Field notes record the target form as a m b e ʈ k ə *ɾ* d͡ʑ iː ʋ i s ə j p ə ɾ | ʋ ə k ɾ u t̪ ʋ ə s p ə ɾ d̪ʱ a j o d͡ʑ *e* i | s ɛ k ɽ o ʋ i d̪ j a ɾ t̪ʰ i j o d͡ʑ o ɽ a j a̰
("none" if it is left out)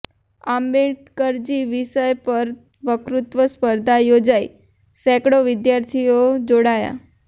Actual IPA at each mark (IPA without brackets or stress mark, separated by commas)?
ɾ, a